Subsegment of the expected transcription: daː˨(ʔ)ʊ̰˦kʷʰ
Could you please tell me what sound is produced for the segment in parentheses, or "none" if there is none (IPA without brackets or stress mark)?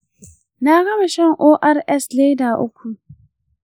ʔ